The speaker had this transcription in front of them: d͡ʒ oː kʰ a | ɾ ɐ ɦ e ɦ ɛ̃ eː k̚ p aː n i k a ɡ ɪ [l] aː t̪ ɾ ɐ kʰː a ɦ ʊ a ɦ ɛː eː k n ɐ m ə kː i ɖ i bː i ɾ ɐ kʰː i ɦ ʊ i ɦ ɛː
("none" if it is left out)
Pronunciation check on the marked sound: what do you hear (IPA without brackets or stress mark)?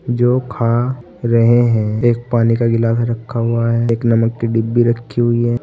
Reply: l